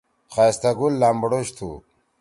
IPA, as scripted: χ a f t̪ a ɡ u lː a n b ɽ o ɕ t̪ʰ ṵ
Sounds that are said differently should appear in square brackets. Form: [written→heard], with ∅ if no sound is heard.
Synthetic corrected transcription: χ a [f→s] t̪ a ɡ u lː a [n→m] b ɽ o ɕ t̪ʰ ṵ